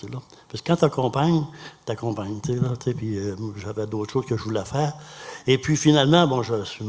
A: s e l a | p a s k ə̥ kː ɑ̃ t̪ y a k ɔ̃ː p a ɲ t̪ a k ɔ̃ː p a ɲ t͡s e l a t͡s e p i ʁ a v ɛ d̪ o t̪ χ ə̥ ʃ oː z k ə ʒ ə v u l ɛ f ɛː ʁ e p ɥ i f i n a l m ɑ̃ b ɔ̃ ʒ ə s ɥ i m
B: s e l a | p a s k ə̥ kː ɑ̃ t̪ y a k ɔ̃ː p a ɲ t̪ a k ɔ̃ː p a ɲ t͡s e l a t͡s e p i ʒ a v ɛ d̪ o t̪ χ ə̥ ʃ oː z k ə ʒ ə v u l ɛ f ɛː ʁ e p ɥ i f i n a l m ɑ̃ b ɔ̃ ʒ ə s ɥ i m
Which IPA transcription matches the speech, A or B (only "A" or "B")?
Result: B